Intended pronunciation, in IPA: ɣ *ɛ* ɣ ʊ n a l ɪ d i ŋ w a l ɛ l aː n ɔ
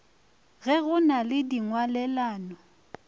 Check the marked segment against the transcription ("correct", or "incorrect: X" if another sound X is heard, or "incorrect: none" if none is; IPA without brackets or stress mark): correct